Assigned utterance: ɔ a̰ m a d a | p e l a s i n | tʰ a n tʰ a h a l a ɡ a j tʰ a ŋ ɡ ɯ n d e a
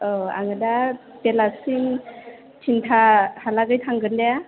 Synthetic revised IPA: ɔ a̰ ŋ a d a | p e l a s i n | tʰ i n tʰ a h a l a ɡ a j tʰ a ŋ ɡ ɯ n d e a